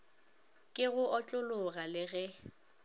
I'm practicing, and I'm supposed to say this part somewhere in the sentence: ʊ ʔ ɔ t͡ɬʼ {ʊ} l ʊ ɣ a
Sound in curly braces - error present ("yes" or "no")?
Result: no